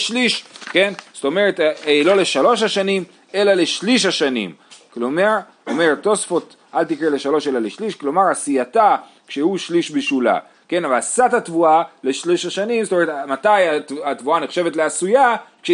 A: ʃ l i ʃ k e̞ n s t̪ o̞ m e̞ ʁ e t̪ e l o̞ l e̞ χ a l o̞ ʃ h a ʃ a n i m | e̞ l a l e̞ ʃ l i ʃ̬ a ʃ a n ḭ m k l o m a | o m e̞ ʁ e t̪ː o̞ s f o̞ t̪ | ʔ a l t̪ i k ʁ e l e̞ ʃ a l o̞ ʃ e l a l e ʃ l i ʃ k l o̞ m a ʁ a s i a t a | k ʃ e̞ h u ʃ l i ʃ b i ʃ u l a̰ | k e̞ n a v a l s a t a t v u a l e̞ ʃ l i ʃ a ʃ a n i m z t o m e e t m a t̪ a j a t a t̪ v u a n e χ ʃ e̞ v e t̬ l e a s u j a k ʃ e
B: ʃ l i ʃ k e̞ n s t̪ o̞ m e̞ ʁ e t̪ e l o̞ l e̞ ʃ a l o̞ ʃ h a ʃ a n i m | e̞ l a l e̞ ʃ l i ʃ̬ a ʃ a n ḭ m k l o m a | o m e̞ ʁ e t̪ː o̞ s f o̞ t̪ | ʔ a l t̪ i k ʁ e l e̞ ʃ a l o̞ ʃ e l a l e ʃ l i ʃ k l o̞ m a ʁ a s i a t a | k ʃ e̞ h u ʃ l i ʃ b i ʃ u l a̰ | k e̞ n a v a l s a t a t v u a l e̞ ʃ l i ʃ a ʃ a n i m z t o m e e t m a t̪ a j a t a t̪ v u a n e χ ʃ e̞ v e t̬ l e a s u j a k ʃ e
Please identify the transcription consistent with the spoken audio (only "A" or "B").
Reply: B